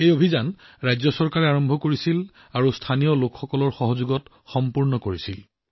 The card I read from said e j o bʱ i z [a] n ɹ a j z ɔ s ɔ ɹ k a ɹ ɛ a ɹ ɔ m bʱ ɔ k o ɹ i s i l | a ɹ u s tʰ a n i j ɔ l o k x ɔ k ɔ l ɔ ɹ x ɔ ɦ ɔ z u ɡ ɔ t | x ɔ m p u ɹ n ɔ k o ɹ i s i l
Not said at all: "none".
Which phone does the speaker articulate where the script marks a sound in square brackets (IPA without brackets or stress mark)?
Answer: a